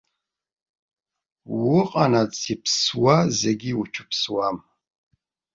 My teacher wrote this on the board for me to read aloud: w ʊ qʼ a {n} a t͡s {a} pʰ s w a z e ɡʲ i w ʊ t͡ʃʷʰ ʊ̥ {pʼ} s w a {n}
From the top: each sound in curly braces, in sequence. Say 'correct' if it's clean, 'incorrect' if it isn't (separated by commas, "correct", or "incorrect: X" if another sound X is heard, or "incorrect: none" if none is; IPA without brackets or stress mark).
correct, incorrect: i, incorrect: p, incorrect: m